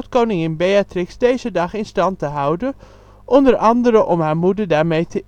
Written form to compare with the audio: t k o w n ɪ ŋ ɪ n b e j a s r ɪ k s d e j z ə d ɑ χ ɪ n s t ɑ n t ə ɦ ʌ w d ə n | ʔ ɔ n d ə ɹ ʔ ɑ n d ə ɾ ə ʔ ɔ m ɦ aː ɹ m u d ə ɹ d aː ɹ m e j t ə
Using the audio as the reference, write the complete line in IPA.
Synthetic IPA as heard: t k o w n ɪ ŋ ɪ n b e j a t r ɪ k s d e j z ə d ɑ χ ɪ n s t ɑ n t ə ɦ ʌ w d ə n | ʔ ɔ n d ə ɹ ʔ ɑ n d ə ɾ ə ʔ ɔ m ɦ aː ɹ m u d ə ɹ d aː ɹ m e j t ə